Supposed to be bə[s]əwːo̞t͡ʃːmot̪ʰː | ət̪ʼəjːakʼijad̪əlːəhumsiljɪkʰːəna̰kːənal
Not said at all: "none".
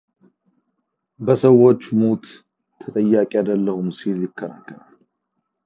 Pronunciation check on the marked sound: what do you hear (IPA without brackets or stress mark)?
s